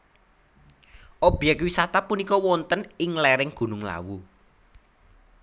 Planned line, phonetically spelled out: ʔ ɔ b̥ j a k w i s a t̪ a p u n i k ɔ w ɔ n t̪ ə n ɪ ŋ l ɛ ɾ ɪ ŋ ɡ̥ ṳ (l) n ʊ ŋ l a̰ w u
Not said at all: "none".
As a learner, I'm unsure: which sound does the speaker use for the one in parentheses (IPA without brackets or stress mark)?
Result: none